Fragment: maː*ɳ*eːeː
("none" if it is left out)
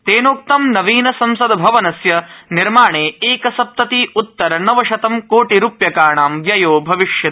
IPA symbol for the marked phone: ɳ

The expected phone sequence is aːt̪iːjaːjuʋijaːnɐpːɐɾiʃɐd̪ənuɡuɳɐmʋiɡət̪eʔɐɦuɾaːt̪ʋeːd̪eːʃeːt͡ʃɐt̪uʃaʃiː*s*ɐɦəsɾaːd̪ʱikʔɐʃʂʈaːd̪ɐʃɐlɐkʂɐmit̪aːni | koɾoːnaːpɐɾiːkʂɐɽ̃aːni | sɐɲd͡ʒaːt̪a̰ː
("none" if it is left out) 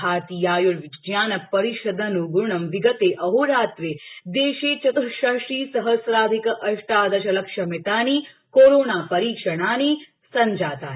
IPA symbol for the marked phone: s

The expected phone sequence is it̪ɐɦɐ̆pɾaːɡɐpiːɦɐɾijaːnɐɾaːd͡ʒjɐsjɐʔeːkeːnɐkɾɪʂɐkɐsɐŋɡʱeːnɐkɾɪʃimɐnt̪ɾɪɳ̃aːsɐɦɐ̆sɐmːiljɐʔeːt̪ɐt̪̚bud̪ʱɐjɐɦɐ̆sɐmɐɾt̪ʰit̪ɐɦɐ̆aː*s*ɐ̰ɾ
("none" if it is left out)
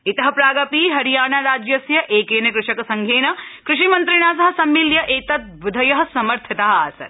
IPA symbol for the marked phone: s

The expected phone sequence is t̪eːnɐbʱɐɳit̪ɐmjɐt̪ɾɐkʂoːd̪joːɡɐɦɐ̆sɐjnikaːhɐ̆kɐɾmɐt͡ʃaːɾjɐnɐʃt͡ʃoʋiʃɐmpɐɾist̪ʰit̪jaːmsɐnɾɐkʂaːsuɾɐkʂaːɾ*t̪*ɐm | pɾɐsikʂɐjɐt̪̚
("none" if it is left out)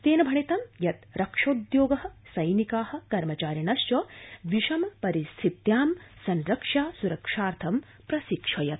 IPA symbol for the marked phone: t̪ʰ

